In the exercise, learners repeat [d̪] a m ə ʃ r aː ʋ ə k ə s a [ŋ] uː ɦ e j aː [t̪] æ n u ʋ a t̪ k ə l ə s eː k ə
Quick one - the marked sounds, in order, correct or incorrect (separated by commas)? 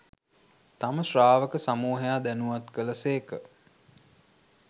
incorrect, incorrect, incorrect